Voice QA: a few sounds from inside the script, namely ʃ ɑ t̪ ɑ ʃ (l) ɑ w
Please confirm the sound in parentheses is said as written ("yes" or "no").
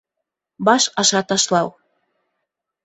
yes